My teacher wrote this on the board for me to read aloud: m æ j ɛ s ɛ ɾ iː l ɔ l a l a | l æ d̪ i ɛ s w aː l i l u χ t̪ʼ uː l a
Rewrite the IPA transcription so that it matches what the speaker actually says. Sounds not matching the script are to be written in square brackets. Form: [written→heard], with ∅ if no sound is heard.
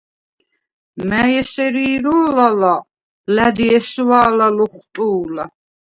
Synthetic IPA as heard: m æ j ɛ s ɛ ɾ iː [l→ɾ] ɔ l a l a | l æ d̪ i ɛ s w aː l [i→a] l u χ t̪ʼ uː l a